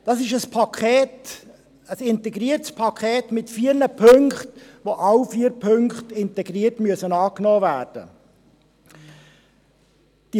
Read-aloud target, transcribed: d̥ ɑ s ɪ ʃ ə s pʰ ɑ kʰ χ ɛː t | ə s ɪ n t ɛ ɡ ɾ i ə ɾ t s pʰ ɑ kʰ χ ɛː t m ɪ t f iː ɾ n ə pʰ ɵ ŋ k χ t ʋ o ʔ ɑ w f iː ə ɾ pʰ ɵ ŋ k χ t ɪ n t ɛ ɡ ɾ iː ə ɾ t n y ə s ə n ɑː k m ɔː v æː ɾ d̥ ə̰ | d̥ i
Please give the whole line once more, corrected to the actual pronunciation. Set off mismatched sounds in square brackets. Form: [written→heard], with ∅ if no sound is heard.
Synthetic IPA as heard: d̥ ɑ s ɪ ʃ ə s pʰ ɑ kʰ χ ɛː t | ə s ɪ n t ɛ ɡ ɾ i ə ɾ t s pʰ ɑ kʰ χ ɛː t m ɪ t f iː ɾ n ə pʰ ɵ ŋ k χ t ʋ o ʔ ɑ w f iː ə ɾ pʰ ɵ ŋ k χ t ɪ n t ɛ ɡ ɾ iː ə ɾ t [n→m] y ə s ə n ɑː k [m→n] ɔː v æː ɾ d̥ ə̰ | d̥ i